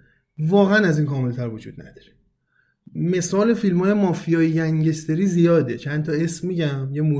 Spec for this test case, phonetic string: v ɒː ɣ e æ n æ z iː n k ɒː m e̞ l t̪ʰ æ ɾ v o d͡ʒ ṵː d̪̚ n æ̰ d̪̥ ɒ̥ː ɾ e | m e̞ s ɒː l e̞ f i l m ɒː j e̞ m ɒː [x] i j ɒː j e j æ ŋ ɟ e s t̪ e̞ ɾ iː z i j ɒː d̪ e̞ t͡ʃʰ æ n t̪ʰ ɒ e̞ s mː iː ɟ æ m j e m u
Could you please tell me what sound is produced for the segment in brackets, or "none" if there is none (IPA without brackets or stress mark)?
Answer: f